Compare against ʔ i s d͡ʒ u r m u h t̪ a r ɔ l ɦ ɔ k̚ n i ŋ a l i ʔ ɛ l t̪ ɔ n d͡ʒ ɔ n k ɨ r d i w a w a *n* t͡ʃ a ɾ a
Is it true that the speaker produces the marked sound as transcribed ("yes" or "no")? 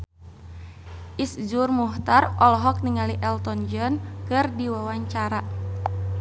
no